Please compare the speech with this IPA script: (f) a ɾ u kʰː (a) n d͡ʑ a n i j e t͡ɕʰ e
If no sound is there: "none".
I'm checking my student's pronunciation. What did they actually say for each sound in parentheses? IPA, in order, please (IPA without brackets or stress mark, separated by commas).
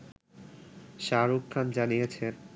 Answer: ʃ, a